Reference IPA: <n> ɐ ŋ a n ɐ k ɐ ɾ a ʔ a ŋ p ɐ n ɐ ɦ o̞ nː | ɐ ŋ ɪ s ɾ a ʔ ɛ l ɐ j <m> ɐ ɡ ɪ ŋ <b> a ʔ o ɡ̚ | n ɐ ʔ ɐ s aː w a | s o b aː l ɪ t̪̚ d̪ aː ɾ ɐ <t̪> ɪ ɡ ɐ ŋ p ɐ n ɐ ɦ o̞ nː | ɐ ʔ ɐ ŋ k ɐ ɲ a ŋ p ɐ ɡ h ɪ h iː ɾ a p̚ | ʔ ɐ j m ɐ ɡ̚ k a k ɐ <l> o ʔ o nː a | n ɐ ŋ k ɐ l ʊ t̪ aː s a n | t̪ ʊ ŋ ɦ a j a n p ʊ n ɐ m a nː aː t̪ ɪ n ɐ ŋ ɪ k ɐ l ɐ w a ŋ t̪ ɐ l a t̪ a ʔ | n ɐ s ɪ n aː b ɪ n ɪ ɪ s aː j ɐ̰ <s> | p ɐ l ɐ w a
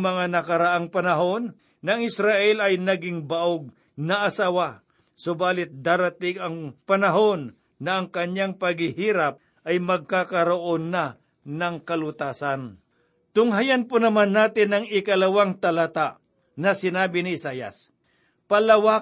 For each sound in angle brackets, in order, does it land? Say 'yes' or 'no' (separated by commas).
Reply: no, no, yes, yes, no, yes